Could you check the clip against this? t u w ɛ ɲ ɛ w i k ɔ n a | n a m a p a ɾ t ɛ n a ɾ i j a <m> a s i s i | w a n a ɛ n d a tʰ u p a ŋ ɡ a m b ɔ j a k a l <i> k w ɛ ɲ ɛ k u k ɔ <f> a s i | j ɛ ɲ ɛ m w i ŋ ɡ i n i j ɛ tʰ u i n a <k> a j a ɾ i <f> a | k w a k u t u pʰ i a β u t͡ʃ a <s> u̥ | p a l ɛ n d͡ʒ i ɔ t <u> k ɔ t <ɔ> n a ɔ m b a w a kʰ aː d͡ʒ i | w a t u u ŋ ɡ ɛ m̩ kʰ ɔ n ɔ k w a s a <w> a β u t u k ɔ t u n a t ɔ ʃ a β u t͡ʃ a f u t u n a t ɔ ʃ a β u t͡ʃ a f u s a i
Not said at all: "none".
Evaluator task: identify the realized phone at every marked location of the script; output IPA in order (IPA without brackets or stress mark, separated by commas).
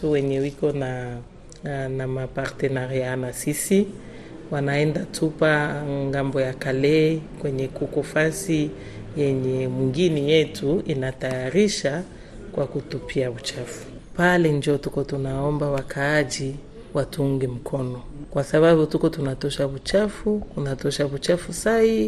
n, ɛ, f, t, ʃ, f, u, u, β